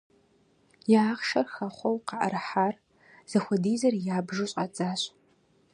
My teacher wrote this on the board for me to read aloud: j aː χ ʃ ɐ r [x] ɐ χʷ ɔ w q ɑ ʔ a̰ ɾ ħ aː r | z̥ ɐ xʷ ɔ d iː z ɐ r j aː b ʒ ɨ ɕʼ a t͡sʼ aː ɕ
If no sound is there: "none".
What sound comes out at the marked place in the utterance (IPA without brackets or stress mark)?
x